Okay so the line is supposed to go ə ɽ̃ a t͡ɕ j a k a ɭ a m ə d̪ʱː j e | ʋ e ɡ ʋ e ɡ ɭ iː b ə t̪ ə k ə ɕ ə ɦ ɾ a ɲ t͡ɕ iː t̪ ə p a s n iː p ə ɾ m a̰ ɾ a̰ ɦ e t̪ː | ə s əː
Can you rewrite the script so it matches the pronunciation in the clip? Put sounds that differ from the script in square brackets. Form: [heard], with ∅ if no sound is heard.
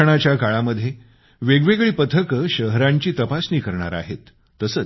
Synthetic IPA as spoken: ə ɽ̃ a t͡ɕ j a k a ɭ a m ə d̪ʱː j e | ʋ e ɡ ʋ e ɡ ɭ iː [p] ə [t̪ʰ] ə k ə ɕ ə ɦ ɾ a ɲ t͡ɕ iː t̪ ə p a s n iː [k] ə ɾ [ɳ] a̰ ɾ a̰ ɦ e t̪ː | ə s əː